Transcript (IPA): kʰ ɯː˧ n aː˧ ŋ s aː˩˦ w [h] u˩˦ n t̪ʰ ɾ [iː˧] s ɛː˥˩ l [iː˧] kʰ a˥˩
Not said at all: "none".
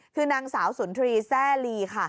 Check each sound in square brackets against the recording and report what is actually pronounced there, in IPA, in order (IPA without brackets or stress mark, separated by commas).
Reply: s, iː˧, iː˧